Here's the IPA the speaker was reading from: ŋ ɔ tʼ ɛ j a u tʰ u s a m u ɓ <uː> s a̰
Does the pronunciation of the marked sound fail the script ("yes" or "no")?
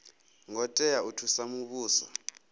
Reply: no